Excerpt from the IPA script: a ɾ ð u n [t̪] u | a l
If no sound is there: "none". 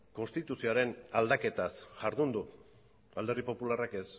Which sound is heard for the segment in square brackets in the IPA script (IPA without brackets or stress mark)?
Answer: d̪